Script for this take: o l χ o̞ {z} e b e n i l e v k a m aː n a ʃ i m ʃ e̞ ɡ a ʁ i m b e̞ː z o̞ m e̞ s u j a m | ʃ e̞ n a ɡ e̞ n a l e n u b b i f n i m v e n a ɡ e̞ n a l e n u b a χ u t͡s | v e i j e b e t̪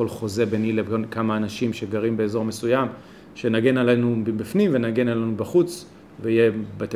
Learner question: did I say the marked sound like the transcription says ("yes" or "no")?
yes